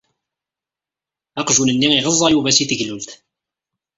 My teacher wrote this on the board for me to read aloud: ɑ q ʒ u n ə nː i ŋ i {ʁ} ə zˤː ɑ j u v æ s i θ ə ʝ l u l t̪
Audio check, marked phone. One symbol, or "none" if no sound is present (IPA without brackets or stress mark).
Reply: ʁ